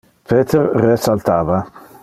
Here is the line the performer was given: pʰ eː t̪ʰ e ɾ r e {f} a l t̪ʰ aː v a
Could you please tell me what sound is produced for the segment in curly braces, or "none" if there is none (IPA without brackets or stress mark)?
s